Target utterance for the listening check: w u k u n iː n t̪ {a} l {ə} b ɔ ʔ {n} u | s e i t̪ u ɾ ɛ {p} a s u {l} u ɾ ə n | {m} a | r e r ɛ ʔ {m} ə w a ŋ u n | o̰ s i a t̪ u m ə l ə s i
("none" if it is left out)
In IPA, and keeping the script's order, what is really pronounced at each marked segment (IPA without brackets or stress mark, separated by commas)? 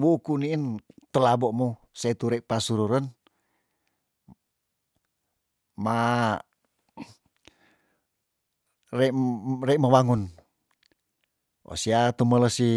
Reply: ə, a, m, p, ɾ, m, m